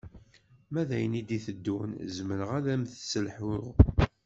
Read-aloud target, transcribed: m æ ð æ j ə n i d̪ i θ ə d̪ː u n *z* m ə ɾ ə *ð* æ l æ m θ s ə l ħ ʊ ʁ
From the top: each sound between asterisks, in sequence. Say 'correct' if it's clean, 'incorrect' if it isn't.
correct, incorrect

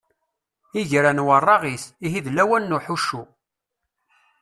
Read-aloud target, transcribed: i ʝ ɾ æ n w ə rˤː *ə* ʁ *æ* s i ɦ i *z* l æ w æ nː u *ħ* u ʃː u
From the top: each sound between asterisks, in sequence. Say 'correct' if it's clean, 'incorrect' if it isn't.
incorrect, incorrect, incorrect, correct

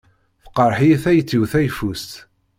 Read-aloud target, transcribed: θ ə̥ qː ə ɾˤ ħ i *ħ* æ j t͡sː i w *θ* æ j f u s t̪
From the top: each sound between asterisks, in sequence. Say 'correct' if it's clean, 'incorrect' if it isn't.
incorrect, correct

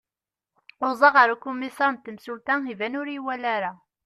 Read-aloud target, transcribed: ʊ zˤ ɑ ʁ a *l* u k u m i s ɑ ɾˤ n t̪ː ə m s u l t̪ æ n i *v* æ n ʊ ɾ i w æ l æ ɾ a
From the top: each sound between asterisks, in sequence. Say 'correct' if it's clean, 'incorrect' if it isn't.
incorrect, correct

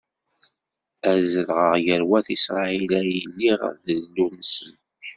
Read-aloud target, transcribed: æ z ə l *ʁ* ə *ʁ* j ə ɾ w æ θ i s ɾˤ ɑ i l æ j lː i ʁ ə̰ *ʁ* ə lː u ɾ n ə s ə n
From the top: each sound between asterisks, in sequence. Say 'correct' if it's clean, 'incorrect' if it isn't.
correct, correct, incorrect

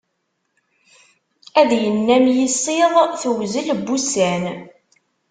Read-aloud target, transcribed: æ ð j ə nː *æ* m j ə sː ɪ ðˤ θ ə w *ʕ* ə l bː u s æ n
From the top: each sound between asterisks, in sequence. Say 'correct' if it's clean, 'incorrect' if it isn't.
correct, incorrect

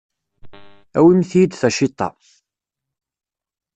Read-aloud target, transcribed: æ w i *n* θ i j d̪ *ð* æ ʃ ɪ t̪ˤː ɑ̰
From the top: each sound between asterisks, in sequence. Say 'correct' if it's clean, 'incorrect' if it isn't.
incorrect, incorrect

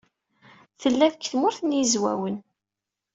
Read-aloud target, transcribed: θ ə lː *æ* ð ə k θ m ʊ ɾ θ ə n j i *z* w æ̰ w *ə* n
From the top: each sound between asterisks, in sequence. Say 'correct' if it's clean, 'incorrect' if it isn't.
correct, correct, correct

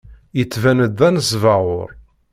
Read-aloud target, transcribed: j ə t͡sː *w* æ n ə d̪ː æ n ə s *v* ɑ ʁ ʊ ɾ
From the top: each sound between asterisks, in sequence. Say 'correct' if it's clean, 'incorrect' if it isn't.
incorrect, correct

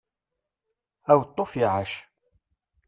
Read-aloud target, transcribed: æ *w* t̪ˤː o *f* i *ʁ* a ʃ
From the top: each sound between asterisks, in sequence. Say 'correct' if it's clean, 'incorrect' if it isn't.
correct, correct, incorrect

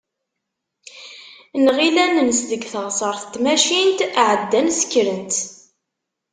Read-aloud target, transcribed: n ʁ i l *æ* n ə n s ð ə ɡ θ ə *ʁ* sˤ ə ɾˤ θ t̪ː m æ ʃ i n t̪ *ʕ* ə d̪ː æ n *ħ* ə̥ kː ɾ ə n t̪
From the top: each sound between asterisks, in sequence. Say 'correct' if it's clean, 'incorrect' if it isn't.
correct, correct, correct, incorrect

